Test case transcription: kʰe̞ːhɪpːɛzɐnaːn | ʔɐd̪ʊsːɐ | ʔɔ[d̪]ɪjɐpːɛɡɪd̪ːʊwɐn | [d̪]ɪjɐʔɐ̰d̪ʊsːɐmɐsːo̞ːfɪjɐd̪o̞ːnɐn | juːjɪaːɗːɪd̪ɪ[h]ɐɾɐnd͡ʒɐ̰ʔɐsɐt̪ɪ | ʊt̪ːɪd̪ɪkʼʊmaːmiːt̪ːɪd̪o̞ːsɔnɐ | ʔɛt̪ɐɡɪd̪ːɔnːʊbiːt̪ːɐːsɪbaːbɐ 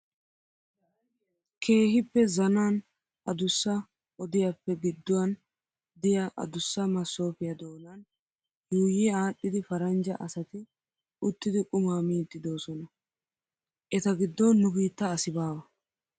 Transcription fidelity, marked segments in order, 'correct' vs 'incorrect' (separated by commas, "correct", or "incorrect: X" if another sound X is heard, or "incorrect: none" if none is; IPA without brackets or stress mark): correct, correct, incorrect: f